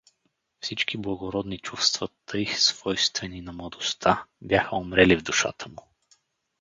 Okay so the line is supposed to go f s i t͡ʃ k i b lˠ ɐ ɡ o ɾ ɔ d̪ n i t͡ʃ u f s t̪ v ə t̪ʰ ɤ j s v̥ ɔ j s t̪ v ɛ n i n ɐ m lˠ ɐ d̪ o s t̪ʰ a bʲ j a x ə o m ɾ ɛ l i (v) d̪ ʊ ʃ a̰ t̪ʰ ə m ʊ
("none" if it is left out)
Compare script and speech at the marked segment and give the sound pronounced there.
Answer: v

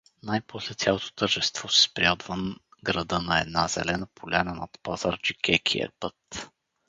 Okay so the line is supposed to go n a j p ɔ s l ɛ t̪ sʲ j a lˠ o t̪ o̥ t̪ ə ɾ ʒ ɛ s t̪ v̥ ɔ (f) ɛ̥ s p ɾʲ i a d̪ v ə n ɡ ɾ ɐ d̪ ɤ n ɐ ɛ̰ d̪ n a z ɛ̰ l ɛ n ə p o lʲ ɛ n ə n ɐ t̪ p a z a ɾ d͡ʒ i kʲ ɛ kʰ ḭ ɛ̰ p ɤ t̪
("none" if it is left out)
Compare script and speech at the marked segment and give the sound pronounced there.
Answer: s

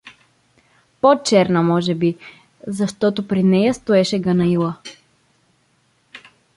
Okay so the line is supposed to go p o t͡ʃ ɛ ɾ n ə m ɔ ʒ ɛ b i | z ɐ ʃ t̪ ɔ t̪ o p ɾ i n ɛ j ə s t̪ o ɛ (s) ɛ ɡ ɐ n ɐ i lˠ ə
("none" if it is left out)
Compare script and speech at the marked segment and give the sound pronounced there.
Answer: ʃ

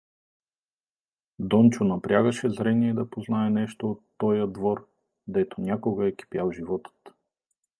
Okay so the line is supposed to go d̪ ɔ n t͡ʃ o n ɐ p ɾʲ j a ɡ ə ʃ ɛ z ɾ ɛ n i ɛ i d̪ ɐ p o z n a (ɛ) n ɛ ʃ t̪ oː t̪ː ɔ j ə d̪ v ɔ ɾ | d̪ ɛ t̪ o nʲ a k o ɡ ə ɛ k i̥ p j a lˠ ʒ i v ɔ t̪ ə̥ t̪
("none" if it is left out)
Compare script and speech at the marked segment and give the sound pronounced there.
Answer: ɛ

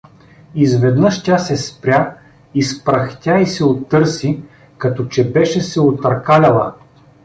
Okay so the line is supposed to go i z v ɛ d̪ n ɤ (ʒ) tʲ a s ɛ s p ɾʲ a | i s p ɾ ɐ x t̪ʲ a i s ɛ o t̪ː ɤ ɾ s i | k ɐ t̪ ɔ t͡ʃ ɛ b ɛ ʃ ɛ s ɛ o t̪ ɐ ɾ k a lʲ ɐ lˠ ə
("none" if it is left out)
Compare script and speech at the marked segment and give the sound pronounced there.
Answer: ʃ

